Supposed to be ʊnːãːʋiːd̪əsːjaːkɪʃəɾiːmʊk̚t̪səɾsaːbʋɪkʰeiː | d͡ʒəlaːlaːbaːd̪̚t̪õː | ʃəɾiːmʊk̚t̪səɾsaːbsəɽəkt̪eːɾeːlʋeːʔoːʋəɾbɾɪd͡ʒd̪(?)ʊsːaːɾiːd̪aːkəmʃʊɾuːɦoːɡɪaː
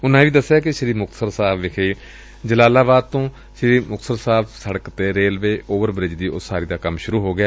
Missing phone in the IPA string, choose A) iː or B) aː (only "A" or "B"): A